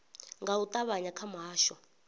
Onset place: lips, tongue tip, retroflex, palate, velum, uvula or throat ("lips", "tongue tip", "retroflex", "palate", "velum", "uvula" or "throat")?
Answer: velum